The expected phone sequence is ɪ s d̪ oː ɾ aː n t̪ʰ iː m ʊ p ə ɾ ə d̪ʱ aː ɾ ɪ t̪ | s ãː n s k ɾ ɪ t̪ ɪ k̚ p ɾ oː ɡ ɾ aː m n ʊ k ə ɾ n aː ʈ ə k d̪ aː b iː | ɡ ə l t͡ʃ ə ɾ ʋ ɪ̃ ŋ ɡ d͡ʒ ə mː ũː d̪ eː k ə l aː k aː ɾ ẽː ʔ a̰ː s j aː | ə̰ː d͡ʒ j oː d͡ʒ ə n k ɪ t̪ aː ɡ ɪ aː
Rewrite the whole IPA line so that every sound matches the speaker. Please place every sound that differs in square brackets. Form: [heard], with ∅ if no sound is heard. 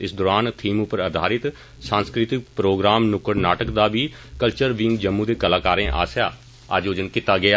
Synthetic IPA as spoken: ɪ s d̪ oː ɾ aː n t̪ʰ iː m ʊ p ə ɾ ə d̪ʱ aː ɾ ɪ t̪ | s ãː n s k ɾ ɪ t̪ ɪ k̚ p ɾ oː ɡ ɾ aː m n ʊ k ə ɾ n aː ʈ ə k d̪ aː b iː | [k] ə l t͡ʃ ə ɾ ʋ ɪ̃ ŋ ɡ d͡ʒ ə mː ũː d̪ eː k ə l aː k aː ɾ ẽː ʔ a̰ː s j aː | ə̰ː d͡ʒ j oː d͡ʒ ə n k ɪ t̪ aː ɡ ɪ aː